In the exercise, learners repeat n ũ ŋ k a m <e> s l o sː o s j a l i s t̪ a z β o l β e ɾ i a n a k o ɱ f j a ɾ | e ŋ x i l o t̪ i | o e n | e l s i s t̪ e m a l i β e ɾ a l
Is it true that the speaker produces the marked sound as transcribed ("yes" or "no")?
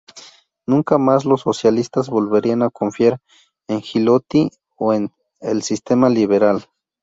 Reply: no